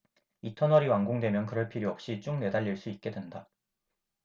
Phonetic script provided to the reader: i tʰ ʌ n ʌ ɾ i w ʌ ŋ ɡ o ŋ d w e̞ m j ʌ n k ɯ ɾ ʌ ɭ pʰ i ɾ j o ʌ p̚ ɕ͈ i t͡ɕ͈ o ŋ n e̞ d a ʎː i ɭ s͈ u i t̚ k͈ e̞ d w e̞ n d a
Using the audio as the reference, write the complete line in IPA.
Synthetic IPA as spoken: i tʰ ʌ n ʌ ɾ i w a ŋ ɡ o ŋ d w e̞ m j ʌ n k ɯ ɾ ʌ ɭ pʰ i ɾ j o ʌ p̚ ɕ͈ i t͡ɕ͈ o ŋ n e̞ d a ʎː i ɭ s͈ u i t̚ k͈ e̞ d w e̞ n d a

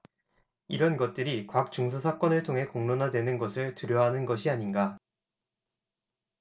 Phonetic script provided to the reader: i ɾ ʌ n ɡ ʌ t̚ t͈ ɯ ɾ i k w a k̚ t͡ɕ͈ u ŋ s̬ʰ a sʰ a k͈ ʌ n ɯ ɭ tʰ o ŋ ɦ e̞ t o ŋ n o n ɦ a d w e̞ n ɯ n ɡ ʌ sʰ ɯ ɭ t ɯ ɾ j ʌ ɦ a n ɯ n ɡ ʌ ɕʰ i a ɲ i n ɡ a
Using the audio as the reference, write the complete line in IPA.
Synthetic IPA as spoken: i ɾ ʌ n ɡ ʌ t̚ t͈ ɯ ɾ i k w a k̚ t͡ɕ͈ u ŋ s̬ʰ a sʰ a k͈ ʌ n ɯ ɭ tʰ o ŋ ɦ e̞ k o ŋ n o n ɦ a d w e̞ n ɯ n ɡ ʌ sʰ ɯ ɭ t ɯ ɾ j ʌ ɦ a n ɯ n ɡ ʌ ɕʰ i a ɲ i n ɡ a

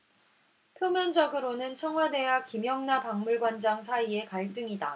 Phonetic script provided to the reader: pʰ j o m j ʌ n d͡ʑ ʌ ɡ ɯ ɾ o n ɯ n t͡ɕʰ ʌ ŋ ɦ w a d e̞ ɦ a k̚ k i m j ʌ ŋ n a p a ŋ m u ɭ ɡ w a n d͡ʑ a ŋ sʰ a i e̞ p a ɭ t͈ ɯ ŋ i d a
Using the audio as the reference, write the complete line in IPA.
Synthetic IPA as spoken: pʰ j o m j ʌ n d͡ʑ ʌ ɡ ɯ ɾ o n ɯ n t͡ɕʰ ʌ ŋ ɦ w a d e̞ ɦ a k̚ k i m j ʌ ŋ n a p a ŋ m u ɭ ɡ w a n d͡ʑ a ŋ sʰ a i e̞ k a ɭ t͈ ɯ ŋ i d a

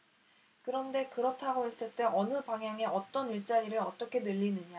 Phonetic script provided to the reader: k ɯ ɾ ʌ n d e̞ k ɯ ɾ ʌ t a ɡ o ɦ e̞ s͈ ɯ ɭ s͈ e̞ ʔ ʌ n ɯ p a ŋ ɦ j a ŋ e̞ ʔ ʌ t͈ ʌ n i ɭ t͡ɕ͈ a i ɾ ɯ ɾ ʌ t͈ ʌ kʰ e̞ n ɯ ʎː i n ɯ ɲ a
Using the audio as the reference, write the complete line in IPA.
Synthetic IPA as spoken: k ɯ ɾ ʌ n d e̞ k ɯ ɾ ʌ tʰ a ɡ o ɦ e̞ s͈ ɯ ɭ t͈ e̞ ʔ ʌ n ɯ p a ŋ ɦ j a ŋ e̞ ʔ ʌ t͈ ʌ n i ɭ t͡ɕ͈ a i ɾ ɯ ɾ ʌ t͈ ʌ kʰ e̞ n ɯ ʎː i n ɯ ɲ a

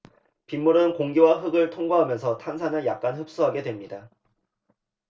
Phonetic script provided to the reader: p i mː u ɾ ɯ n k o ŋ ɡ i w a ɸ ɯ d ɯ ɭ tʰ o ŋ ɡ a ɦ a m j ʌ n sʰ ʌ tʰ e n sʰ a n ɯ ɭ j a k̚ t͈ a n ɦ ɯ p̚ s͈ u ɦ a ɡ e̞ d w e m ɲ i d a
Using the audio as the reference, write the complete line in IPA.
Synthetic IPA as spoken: p i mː u ɾ ɯ n k o ŋ ɡ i w a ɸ ɯ ɡ ɯ ɭ tʰ o ŋ ɡ a ɦ a m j ʌ n sʰ ʌ tʰ a n sʰ a n ɯ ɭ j a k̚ k͈ a n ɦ ɯ p̚ s͈ u ɦ a ɡ e̞ d w e m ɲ i d a

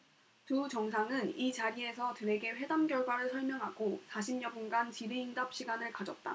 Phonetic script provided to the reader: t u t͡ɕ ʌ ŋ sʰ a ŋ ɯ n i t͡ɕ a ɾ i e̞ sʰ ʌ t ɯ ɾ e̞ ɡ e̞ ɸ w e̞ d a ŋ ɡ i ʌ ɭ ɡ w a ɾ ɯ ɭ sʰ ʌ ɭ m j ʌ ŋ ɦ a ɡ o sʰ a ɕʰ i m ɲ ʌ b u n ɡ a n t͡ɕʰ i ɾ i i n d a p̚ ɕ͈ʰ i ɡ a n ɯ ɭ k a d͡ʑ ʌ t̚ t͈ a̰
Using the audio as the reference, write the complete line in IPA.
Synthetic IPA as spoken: t u t͡ɕ ʌ ŋ sʰ a ŋ ɯ n i t͡ɕ a ɾ i e̞ sʰ ʌ t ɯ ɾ e̞ ɡ e̞ ɸ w e̞ d a m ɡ j ʌ ɭ ɡ w a ɾ ɯ ɭ sʰ ʌ ɭ m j ʌ ŋ ɦ a ɡ o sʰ a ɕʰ i m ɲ ʌ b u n ɡ a n t͡ɕ i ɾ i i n d a p̚ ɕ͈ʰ i ɡ a n ɯ ɭ k a d͡ʑ ʌ t̚ t͈ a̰

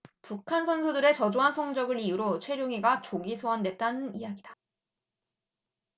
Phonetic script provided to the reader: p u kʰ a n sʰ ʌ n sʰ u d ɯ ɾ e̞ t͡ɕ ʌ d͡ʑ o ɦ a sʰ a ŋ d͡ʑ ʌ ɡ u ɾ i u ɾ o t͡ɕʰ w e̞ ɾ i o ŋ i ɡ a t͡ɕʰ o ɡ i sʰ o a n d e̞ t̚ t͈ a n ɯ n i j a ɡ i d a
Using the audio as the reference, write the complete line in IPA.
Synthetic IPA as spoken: p u kʰ a n sʰ ʌ n sʰ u d ɯ ɾ e̞ t͡ɕ ʌ d͡ʑ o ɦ a sʰ ʌ ŋ d͡ʑ ʌ ɡ ɯ ɾ i u ɾ o t͡ɕʰ w e̞ ɾ j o ŋ i ɡ a t͡ɕ o ɡ i sʰ o a n d e̞ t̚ t͈ a n ɯ n i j a ɡ i d a

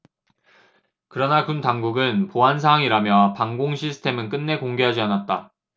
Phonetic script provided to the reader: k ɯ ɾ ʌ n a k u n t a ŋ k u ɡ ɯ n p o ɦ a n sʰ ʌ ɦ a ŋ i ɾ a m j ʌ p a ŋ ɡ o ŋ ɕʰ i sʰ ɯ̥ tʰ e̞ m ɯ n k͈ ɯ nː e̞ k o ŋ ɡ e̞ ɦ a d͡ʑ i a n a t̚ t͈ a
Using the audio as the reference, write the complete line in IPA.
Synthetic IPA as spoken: k ɯ ɾ ʌ n a k u n t a ŋ ɡ u ɡ ɯ n p o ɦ a n sʰ a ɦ a ŋ i ɾ a m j ʌ p a ŋ ɡ o ŋ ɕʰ i sʰ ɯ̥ tʰ e̞ m ɯ n k͈ ɯ nː e̞ k o ŋ ɡ e̞ ɦ a d͡ʑ i a n a t̚ t͈ a

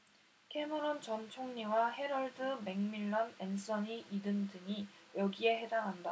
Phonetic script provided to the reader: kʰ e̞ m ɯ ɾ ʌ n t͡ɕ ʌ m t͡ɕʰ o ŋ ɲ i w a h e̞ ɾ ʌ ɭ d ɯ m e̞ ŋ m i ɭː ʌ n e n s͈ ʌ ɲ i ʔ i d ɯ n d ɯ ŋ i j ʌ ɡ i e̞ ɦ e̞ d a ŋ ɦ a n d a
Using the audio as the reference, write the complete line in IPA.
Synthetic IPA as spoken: kʰ e̞ m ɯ ɾ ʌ n t͡ɕ ʌ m t͡ɕʰ o ŋ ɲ i w a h e̞ ɾ ʌ ɭ d ɯ m e̞ ŋ m i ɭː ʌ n e n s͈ ʌ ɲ i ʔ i d ɯ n d ɯ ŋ i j ʌ ɡ i e̞ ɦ e̞ d a ŋ ɦ a n d a

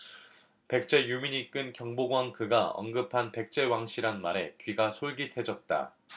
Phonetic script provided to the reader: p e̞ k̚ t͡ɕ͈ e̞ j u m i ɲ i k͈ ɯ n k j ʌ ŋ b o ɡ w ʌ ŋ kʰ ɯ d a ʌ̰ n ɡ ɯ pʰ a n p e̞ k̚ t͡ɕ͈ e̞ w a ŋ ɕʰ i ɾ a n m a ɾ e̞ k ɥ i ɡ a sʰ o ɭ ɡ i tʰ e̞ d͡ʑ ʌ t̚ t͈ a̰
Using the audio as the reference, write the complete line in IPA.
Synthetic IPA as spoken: p e̞ k̚ t͡ɕ͈ e̞ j u m i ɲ i k͈ ɯ n k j ʌ ŋ b o ɡ w a ŋ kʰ ɯ ɡ a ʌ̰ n ɡ ɯ pʰ a n p e̞ k̚ t͡ɕ͈ e̞ w a ŋ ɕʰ i ɾ a n m a ɾ e̞ k ɥ i ɡ a sʰ o ɭ ɡ i tʰ e̞ d͡ʑ ʌ t̚ t͈ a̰

